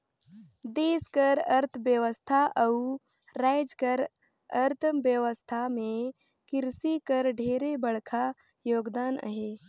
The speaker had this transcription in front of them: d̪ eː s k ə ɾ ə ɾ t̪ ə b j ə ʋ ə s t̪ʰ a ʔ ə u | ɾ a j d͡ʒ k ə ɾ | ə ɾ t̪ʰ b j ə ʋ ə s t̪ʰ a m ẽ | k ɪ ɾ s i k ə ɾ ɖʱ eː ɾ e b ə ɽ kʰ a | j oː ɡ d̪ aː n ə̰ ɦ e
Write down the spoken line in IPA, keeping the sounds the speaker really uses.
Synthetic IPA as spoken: d̪ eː s k ə ɾ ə ɾ t̪ʰ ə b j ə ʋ ə s t̪ʰ a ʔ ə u | ɾ a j d͡ʒ k ə ɾ | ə ɾ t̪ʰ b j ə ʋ ə s t̪ʰ a m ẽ | k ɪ ɾ s i k ə ɾ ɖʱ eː ɾ e b ə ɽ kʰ a | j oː ɡ d̪ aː n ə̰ ɦ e